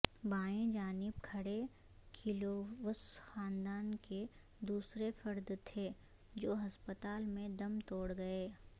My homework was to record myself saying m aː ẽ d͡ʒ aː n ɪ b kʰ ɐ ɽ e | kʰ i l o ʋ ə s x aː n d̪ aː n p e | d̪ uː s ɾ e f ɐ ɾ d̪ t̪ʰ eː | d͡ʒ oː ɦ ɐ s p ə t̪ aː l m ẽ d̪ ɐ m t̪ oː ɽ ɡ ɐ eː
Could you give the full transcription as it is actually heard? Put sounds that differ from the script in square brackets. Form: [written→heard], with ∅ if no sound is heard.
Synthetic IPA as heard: [m→b] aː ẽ d͡ʒ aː n ɪ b kʰ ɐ ɽ e | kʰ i l o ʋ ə s x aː n d̪ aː n [p→k] e | d̪ uː s ɾ e f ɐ ɾ d̪ t̪ʰ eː | d͡ʒ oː ɦ ɐ s p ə t̪ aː l m ẽ d̪ ɐ m t̪ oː ɽ ɡ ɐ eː